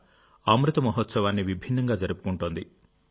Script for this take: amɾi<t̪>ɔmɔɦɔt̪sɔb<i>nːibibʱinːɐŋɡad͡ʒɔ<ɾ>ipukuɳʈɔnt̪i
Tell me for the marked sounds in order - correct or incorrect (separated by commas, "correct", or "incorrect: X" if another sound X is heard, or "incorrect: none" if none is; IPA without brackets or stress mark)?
correct, incorrect: a, correct